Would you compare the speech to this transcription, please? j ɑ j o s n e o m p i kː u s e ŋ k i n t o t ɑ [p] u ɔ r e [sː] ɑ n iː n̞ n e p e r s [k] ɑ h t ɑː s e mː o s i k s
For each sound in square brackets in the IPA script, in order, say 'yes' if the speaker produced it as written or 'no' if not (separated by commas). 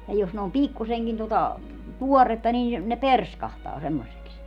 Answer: no, no, yes